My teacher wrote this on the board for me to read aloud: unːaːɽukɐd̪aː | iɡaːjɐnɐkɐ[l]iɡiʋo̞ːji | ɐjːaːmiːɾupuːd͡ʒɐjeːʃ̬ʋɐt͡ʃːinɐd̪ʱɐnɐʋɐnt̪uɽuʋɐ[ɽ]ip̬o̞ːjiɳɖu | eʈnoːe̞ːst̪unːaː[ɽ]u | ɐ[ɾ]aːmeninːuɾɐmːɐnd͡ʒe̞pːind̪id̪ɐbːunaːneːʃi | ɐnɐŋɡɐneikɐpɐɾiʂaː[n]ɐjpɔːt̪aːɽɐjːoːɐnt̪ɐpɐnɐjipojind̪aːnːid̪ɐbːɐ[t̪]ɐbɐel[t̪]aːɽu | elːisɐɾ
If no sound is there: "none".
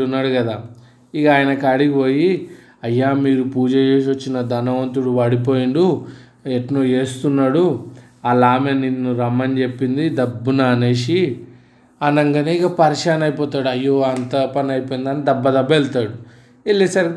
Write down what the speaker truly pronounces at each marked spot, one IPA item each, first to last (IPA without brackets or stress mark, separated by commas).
ɽ, ɽ, ɽ, l, n, d̪, t̪